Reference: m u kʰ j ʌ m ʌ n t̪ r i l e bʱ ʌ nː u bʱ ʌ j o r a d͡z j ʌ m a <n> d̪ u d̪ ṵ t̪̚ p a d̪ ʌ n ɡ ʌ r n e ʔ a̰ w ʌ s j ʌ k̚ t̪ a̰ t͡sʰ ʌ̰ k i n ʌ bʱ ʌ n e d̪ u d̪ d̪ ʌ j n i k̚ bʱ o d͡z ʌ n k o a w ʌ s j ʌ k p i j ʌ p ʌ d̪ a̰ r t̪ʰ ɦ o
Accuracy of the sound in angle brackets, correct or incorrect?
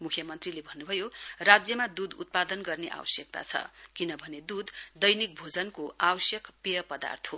incorrect